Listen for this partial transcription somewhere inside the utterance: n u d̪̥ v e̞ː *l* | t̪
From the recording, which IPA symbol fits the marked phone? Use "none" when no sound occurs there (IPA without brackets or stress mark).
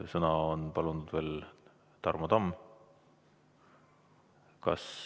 l